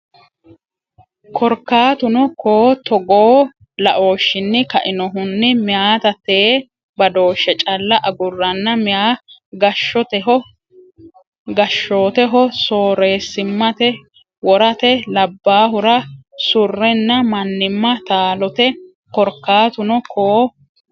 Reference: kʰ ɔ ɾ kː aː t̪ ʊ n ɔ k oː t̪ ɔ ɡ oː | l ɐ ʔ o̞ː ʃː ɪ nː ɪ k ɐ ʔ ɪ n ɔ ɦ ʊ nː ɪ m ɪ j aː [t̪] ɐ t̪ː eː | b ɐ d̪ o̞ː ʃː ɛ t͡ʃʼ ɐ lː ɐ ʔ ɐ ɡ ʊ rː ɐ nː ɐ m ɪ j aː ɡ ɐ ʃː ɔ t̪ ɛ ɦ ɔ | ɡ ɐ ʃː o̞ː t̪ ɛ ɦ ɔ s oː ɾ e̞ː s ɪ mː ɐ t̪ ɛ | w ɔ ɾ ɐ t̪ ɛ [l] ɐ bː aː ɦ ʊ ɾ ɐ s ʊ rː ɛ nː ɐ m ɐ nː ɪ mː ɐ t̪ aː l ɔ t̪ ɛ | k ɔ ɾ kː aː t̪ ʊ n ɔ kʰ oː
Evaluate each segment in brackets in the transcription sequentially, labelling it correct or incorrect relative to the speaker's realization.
correct, correct

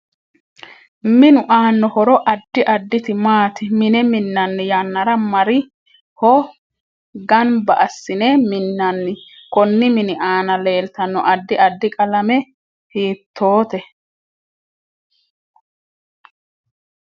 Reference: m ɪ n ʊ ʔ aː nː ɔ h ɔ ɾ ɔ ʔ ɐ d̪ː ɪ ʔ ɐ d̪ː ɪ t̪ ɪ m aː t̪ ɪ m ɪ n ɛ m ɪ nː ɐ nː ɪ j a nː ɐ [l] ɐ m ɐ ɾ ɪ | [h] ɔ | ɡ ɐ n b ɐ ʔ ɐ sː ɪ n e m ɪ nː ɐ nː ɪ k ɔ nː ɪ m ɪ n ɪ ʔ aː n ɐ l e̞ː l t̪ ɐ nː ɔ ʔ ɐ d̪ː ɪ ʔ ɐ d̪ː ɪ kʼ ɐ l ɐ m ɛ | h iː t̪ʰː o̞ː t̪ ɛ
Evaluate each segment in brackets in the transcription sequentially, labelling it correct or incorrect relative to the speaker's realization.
incorrect, correct

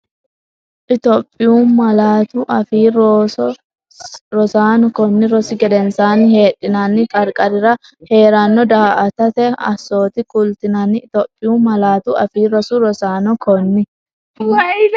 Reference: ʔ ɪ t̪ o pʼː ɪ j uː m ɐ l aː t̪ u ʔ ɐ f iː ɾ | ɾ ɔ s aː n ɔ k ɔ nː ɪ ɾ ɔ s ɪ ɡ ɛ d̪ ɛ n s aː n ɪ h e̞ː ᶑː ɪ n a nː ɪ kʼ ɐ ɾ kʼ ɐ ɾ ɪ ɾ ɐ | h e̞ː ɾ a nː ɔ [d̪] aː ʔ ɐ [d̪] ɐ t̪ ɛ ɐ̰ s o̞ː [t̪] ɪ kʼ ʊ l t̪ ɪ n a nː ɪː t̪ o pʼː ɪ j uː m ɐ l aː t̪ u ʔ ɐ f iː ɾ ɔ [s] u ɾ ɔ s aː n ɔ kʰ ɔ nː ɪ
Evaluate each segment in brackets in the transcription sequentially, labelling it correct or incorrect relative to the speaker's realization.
correct, incorrect, correct, correct

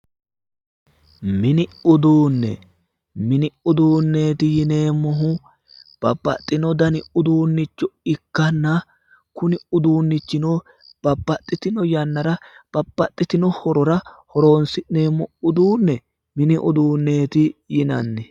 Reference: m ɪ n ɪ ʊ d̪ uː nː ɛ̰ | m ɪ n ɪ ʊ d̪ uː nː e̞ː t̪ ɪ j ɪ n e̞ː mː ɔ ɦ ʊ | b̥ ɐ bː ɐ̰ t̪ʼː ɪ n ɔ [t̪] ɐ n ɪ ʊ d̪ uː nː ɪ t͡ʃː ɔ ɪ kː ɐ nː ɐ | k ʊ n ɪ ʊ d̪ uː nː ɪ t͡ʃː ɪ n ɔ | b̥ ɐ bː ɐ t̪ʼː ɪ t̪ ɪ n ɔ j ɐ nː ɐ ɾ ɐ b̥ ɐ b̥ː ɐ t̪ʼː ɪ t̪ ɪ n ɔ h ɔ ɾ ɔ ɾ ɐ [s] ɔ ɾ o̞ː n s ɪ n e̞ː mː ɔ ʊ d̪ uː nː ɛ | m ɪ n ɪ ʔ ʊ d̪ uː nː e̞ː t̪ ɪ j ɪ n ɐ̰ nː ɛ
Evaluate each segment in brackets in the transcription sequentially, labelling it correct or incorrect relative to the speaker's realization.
incorrect, incorrect

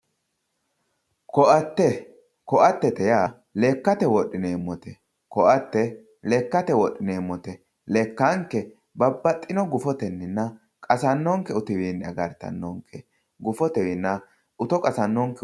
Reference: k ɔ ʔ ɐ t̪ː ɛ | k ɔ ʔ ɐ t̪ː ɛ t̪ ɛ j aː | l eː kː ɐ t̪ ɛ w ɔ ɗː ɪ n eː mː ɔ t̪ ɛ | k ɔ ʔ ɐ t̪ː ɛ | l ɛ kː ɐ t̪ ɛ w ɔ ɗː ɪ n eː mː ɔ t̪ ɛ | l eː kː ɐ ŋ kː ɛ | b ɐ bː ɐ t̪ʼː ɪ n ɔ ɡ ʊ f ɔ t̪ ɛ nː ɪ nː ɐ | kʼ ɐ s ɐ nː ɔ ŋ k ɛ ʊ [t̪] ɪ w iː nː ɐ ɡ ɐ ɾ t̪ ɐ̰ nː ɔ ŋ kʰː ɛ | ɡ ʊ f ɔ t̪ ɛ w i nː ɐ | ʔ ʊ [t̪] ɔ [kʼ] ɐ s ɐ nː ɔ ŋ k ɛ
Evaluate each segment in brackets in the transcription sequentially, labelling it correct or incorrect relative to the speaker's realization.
correct, correct, correct

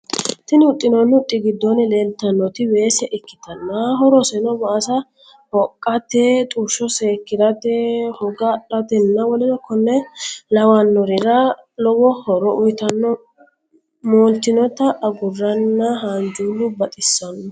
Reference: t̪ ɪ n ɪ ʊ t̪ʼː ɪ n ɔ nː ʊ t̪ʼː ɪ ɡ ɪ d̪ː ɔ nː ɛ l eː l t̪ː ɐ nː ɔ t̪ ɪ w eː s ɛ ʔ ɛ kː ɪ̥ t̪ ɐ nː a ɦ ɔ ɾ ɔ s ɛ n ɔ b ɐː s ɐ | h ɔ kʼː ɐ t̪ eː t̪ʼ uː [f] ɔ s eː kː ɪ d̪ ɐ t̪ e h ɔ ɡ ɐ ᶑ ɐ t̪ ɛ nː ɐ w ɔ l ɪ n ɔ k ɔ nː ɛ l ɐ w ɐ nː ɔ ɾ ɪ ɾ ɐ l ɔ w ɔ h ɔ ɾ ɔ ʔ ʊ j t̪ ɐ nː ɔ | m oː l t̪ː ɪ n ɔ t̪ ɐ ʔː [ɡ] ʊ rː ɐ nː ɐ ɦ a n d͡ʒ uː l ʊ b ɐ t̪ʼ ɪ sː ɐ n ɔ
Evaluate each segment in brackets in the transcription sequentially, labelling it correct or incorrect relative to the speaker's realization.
incorrect, correct

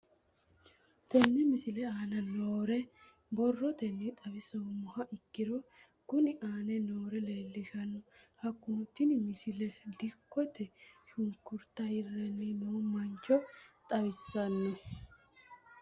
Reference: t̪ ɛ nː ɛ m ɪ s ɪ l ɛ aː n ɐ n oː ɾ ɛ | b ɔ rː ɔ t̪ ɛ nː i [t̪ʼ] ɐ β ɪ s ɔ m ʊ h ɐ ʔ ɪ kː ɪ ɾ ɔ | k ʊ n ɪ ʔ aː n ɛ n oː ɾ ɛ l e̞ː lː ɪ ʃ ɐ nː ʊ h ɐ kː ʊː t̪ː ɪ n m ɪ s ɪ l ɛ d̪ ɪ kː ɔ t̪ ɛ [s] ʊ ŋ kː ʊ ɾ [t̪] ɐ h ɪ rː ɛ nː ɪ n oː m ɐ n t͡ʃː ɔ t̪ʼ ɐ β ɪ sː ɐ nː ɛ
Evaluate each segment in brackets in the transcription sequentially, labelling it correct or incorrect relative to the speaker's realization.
correct, incorrect, correct

